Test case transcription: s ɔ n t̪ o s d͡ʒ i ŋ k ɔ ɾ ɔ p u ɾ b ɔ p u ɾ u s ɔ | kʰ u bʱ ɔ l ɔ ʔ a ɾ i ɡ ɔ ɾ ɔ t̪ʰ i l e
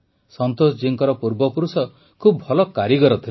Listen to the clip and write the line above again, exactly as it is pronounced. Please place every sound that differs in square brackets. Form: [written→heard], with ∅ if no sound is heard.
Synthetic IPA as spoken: s ɔ n t̪ o s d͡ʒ i ŋ k ɔ ɾ ɔ p u ɾ b ɔ p u ɾ u s ɔ | kʰ u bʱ ɔ l ɔ [ʔ→k] a ɾ i ɡ ɔ ɾ ɔ t̪ʰ i l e